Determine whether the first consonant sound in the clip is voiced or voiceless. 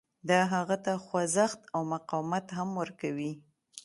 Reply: voiced